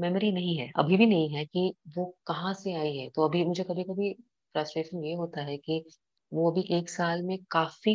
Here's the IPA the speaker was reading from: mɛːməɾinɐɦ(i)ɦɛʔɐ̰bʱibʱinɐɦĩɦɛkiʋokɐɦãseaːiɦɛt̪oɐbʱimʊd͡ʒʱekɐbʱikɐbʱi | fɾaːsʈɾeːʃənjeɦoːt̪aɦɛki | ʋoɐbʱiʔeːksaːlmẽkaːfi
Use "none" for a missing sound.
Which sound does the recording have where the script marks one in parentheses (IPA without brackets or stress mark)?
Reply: ĩ